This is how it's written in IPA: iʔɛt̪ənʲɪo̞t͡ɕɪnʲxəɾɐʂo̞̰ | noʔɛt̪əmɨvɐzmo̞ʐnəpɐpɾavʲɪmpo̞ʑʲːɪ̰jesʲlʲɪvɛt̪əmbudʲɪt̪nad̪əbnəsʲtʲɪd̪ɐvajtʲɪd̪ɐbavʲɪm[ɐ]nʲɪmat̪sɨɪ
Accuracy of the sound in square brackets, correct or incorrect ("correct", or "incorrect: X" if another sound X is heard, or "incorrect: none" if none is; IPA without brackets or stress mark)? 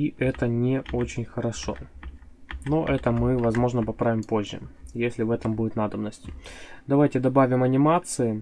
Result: correct